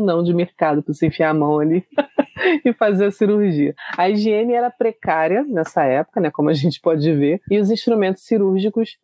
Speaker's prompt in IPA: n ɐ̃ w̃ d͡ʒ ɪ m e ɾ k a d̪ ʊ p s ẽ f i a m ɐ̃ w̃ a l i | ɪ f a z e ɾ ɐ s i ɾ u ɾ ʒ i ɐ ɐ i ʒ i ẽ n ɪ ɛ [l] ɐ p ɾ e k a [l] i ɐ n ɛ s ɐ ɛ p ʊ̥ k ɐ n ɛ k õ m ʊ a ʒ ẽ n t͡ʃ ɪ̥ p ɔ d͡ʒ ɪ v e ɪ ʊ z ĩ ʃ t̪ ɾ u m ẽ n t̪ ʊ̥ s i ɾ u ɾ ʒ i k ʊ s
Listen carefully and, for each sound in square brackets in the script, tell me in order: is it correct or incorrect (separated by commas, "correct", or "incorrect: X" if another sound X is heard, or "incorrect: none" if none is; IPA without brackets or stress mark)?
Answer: incorrect: ɾ, incorrect: ɾ